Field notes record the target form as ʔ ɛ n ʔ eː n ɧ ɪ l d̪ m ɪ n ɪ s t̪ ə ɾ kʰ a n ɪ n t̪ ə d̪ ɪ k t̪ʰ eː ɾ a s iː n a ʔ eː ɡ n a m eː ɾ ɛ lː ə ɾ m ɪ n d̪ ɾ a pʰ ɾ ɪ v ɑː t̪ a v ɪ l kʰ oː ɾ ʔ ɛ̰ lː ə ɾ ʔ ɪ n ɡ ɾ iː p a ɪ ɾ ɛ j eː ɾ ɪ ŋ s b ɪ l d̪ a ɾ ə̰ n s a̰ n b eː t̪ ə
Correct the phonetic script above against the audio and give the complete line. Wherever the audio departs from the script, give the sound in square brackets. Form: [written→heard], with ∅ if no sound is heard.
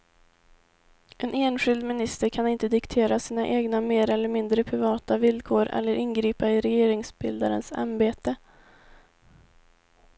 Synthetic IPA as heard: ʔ ɛ n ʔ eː n ɧ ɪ l d̪ m ɪ n ɪ s t̪ ə ɾ kʰ a n ɪ n t̪ ə d̪ ɪ k t̪ʰ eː ɾ a s iː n a ʔ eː ɡ n a m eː ɾ ɛ lː ə ɾ m ɪ n d̪ ɾ [a→ə] pʰ ɾ ɪ v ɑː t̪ a v ɪ l kʰ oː ɾ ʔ ɛ̰ lː ə ɾ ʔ ɪ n ɡ ɾ iː p a ɪ ɾ ɛ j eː ɾ ɪ ŋ s b ɪ l d̪ a ɾ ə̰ n s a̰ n b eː t̪ ə